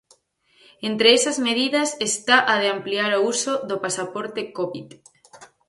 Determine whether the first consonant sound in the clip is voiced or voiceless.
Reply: voiced